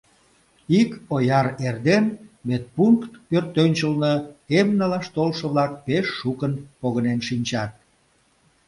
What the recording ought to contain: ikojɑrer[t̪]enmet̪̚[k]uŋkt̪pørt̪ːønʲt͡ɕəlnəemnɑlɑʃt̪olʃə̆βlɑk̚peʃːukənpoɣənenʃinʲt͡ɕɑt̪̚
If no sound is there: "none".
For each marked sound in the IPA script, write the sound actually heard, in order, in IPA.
d̪, p

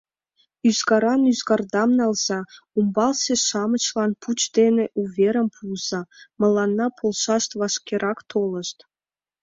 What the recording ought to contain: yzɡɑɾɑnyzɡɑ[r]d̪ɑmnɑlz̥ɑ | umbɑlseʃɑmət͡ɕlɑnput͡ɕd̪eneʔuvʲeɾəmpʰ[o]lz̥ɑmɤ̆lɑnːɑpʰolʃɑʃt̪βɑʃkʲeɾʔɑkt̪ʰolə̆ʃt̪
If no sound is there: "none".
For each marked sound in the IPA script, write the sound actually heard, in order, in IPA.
r, u

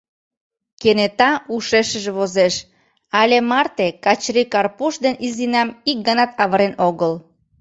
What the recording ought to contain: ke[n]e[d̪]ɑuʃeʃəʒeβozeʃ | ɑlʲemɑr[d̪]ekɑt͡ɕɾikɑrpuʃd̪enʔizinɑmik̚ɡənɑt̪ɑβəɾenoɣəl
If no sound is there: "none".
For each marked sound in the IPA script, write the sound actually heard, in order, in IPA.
n, t̪, t̪

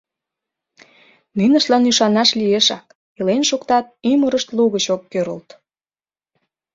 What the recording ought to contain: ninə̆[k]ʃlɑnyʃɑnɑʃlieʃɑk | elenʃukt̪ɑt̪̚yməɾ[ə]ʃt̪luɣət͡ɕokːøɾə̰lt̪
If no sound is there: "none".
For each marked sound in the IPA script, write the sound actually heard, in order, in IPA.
none, ə

